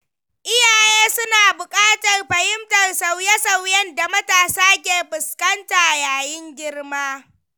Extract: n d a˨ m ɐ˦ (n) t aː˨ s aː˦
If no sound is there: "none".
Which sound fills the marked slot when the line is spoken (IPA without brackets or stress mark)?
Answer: none